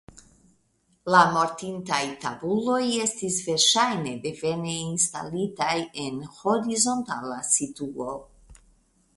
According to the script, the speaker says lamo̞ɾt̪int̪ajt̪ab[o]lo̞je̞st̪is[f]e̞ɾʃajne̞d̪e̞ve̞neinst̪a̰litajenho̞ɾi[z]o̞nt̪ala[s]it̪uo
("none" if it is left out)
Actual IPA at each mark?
u, v, z, s

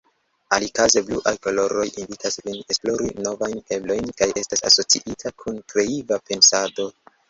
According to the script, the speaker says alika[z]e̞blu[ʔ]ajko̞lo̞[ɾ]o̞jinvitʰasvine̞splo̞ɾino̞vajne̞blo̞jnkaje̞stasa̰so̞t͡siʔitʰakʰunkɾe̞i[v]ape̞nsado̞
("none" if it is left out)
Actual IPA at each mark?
z, ʔ, ɾ, v

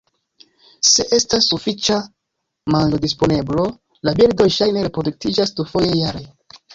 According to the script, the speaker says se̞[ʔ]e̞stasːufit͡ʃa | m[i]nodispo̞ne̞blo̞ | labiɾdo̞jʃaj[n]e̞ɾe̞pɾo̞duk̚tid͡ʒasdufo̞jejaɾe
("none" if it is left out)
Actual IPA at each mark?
ʔ, a, n

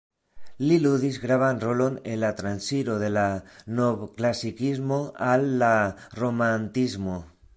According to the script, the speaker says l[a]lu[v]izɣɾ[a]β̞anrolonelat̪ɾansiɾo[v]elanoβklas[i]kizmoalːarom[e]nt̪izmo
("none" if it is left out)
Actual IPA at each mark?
i, ð, a, ð, i, a

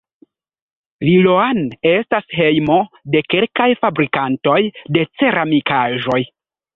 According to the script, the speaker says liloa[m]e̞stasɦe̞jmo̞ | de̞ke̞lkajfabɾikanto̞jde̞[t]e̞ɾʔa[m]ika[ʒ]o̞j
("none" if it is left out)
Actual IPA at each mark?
n, t͡s, m, ʒ

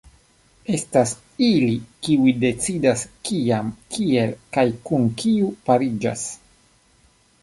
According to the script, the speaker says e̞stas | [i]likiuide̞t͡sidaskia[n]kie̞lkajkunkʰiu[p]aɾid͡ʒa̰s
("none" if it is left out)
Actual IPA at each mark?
i, m, p

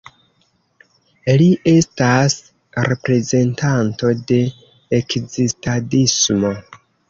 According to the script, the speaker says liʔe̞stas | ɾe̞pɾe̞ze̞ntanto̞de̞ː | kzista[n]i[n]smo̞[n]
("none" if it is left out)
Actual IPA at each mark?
d, none, none

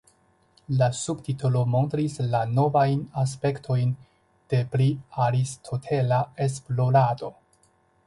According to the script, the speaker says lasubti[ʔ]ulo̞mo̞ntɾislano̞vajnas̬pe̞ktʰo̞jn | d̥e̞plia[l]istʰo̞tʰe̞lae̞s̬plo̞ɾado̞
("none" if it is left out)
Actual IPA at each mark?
t, ɾ

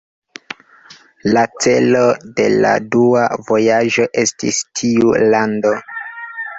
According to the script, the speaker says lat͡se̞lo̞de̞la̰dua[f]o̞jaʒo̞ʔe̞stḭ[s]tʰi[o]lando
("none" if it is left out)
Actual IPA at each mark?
v, s, u

